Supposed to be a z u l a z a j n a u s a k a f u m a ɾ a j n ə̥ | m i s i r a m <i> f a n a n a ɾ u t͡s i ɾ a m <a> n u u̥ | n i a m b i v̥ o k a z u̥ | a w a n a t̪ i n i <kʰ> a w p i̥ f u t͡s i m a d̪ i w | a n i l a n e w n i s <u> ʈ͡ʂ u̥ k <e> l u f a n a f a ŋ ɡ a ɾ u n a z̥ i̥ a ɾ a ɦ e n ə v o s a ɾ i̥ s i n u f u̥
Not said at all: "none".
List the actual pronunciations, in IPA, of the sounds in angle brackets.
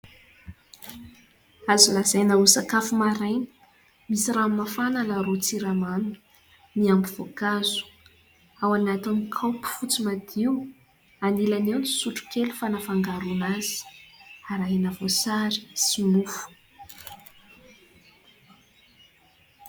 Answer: a, a, kʰ, u, e

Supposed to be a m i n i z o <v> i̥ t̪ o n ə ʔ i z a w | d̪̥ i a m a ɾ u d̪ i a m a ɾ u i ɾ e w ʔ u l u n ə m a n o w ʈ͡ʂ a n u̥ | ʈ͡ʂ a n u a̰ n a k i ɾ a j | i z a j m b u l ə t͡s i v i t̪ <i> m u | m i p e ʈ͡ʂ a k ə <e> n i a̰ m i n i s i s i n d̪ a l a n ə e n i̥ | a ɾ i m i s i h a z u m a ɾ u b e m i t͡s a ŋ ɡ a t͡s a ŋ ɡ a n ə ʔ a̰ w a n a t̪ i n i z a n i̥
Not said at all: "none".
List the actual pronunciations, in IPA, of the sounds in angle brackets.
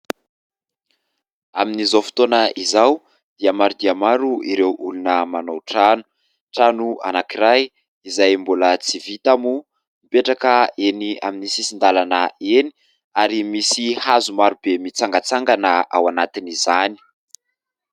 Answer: f, a, e

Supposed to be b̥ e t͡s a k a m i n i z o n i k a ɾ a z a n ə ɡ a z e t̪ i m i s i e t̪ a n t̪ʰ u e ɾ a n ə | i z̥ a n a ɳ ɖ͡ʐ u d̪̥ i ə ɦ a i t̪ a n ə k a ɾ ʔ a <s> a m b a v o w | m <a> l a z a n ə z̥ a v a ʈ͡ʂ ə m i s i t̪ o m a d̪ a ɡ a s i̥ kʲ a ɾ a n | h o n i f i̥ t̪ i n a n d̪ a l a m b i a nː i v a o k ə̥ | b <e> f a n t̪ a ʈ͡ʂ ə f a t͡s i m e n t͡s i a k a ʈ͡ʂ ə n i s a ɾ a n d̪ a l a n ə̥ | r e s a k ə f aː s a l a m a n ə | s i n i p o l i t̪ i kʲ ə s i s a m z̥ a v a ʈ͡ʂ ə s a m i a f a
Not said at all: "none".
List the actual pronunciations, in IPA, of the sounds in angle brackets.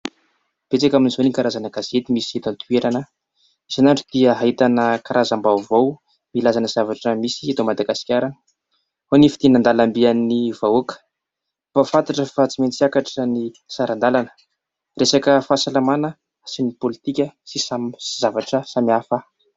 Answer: z, i, a

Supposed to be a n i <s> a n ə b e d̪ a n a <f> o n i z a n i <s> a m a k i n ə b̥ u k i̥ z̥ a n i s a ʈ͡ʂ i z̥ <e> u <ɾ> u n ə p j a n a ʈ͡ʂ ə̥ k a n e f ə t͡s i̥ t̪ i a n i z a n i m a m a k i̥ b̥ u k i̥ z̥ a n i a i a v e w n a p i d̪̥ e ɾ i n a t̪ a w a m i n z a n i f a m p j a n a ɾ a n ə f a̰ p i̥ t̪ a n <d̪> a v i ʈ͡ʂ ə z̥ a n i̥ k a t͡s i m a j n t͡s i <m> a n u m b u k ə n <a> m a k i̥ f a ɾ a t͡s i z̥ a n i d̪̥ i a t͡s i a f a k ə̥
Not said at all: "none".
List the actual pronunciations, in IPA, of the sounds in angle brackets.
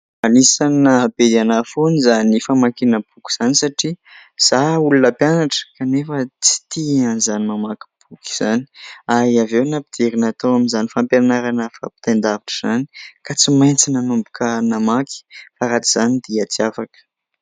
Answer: s, f, f, a, l, d̪, n, a

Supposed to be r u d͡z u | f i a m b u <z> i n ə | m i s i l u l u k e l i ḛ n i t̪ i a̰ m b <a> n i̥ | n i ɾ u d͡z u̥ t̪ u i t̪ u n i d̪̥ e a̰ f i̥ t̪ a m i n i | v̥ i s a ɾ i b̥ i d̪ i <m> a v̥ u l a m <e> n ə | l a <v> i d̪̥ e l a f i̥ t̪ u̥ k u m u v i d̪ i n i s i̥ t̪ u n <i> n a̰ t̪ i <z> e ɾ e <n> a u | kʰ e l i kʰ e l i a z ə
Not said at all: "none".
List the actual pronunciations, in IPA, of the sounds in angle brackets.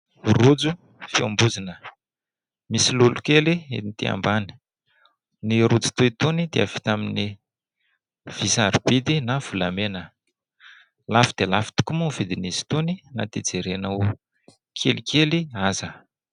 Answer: z, a, n, e, f, i, d͡z, n

